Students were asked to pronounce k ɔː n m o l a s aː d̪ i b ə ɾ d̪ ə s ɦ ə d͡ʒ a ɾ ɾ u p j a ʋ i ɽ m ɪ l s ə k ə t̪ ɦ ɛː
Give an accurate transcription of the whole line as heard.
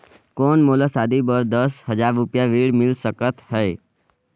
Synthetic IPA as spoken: k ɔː n m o l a s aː d̪ i b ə ɾ d̪ ə s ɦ ə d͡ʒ a ɾ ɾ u p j a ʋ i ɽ m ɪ l s ə k ə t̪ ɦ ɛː